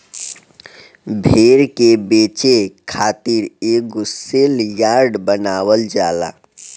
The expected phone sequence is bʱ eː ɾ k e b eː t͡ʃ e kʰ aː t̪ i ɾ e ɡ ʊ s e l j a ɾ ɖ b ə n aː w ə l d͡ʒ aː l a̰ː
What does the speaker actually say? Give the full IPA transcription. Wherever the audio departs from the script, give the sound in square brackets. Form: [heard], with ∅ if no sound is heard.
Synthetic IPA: bʱ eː ɾ k e b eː t͡ʃ e kʰ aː t̪ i ɾ e ɡ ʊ s e l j a ɾ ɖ b ə n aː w ə l d͡ʒ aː l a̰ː